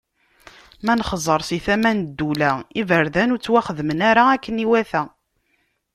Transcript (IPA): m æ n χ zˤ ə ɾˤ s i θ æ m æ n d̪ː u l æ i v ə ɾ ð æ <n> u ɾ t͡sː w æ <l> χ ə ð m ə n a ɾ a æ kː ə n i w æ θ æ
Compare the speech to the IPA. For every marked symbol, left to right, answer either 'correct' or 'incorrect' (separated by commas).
correct, incorrect